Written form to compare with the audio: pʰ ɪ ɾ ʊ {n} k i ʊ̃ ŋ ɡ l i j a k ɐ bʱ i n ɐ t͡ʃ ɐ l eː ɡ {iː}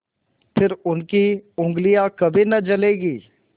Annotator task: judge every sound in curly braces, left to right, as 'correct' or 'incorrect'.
correct, correct

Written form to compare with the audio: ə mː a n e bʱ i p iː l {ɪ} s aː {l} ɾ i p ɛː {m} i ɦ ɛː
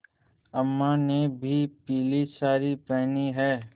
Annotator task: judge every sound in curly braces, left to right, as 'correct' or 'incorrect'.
incorrect: i, incorrect: none, incorrect: n

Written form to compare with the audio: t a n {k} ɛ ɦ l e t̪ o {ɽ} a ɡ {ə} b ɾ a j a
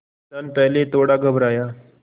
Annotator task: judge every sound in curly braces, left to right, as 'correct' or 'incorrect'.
incorrect: p, correct, correct

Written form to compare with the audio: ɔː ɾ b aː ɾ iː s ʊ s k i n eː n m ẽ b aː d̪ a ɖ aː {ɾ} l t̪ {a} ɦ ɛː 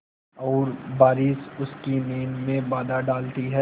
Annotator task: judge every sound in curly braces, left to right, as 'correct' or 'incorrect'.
incorrect: none, incorrect: i

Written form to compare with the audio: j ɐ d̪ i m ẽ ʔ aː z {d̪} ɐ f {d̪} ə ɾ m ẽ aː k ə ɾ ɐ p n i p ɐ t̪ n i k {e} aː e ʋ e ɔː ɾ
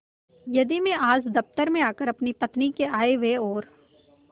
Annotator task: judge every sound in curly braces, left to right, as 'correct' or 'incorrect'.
correct, incorrect: t̪, correct

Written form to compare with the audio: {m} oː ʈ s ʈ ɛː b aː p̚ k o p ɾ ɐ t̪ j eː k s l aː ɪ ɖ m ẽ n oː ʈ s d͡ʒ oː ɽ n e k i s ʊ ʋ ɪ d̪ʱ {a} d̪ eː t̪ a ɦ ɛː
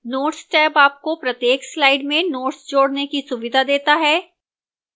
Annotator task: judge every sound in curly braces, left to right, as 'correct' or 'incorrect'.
incorrect: n, correct

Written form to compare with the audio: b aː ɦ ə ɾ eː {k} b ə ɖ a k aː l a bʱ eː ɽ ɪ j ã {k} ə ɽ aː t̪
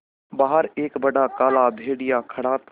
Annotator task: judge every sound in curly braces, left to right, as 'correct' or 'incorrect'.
correct, incorrect: kʰ

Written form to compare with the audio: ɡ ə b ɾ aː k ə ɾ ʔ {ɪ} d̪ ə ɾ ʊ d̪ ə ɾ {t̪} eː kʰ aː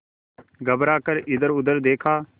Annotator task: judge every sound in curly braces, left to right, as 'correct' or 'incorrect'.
correct, incorrect: d̪

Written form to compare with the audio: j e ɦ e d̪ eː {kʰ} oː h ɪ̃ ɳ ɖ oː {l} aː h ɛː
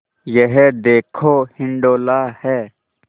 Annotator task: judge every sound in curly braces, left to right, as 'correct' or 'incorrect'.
correct, correct

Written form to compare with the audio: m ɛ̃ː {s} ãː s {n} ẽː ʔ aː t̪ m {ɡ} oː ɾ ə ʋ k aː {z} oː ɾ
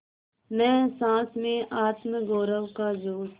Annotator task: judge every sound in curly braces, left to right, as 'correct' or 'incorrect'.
correct, incorrect: m, correct, correct

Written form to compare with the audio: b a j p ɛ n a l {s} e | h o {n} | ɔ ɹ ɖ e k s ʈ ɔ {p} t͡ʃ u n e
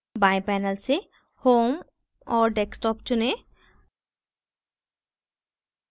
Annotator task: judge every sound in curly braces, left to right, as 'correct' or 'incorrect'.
correct, incorrect: m, correct

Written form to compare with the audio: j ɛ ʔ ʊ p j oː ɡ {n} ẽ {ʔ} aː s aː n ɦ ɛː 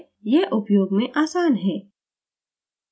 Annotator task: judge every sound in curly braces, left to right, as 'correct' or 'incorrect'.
incorrect: m, correct

